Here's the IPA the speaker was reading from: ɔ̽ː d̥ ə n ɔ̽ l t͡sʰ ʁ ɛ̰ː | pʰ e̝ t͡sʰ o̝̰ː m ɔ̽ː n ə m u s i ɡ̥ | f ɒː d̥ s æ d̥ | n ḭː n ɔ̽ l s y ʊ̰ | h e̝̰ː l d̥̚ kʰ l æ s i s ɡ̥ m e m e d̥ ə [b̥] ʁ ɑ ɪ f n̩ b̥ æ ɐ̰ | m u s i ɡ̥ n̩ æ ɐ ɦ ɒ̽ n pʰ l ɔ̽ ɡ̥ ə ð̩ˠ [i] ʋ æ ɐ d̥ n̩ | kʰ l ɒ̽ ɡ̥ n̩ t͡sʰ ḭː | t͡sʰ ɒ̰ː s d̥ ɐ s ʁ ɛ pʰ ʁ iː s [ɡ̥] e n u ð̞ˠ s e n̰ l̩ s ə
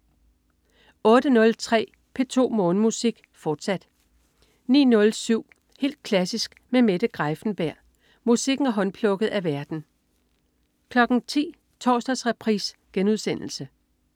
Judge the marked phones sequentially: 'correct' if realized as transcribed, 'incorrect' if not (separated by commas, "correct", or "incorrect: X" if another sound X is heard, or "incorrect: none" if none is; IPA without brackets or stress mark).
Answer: incorrect: ɡ̥, incorrect: æ, correct